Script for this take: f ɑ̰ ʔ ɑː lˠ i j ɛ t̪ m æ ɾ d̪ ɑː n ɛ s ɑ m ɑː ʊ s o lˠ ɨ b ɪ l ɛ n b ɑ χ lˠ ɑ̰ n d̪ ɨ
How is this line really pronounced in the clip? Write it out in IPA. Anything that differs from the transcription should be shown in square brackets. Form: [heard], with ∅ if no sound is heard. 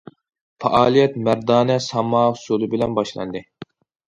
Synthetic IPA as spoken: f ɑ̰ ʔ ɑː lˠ i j ɛ t̪ m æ ɾ d̪ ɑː n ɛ s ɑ m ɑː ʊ s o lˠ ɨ b ɪ l ɛ n b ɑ [ʃ] lˠ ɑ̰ n d̪ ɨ